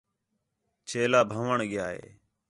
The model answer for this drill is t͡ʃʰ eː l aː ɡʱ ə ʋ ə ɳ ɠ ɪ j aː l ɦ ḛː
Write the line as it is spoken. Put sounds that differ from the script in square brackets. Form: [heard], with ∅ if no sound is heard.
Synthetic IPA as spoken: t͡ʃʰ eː l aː [bʱ] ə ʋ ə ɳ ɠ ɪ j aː [∅] ɦ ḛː